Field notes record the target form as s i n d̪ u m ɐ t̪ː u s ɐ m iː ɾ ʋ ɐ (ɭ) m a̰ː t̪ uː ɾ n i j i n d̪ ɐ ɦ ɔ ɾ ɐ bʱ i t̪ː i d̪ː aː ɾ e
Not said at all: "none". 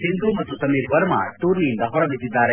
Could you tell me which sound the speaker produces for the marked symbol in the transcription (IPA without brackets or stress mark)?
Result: ɾ